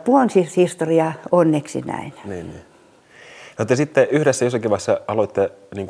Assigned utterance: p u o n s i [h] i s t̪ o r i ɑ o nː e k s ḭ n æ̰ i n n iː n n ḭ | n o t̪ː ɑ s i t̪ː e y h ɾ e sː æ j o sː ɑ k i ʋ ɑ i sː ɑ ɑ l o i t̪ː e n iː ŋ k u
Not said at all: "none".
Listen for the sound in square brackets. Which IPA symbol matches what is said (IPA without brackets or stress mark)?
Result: h